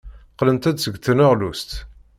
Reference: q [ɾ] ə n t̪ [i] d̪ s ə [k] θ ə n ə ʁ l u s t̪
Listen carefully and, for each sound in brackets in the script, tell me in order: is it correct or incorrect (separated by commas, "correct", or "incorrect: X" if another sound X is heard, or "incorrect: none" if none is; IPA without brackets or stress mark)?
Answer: incorrect: l, incorrect: æ, incorrect: ɡ